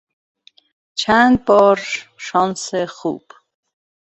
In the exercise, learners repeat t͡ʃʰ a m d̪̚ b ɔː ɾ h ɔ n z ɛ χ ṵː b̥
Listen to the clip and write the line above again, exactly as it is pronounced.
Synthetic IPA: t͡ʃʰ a n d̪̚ b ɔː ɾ ʃ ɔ n s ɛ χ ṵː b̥